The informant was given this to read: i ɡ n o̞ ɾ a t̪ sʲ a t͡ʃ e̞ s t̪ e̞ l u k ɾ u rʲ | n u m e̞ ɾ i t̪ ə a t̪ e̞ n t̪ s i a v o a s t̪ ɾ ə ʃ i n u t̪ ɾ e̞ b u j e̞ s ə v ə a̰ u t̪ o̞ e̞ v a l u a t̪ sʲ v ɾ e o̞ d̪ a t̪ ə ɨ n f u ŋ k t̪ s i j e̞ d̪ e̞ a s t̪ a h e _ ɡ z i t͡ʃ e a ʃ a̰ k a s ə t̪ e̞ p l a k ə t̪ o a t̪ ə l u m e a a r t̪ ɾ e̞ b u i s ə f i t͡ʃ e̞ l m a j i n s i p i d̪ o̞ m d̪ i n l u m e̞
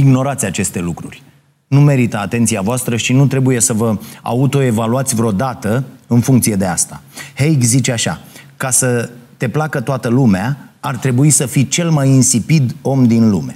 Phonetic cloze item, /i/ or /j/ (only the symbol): j